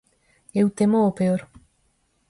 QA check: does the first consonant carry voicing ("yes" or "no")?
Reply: yes